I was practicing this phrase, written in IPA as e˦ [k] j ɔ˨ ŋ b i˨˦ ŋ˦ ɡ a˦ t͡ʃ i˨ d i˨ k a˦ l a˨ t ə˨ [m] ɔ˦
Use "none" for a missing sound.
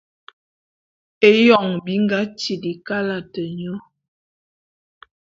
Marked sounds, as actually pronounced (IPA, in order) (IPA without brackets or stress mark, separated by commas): none, ɲ